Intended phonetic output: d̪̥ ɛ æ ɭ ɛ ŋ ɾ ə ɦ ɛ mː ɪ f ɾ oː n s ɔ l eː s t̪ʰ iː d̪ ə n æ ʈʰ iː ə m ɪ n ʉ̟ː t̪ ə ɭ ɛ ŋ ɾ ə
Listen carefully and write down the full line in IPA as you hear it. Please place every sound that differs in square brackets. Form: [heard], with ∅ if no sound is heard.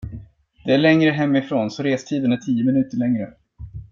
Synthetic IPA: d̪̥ ɛ æ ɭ ɛ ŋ ɾ ə ɦ ɛ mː ɪ f ɾ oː n s ɔ [ɾ] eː s t̪ʰ iː d̪ ə n æ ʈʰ iː ə m ɪ n ʉ̟ː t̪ ə ɭ ɛ ŋ ɾ ə